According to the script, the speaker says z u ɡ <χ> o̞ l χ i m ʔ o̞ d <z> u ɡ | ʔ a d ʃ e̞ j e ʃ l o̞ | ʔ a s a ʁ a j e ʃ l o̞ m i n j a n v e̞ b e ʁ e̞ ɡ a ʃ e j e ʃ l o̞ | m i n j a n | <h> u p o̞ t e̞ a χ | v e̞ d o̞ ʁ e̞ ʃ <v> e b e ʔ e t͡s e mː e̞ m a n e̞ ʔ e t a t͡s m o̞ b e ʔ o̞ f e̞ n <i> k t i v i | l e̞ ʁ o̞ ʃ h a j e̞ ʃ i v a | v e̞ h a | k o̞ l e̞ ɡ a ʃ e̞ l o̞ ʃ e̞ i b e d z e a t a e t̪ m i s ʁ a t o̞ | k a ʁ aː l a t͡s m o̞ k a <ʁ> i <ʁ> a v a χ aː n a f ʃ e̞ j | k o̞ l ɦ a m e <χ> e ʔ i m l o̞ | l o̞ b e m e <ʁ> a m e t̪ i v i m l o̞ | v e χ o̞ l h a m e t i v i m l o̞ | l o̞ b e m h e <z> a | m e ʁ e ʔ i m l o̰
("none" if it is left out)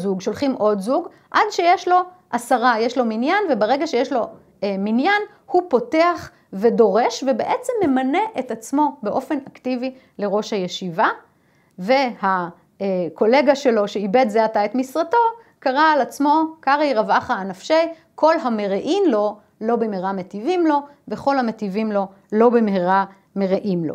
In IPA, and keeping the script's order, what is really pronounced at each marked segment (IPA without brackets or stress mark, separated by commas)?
ʃ, z, h, v, a, ʁ, ʁ, ʁ, ʁ, ʁ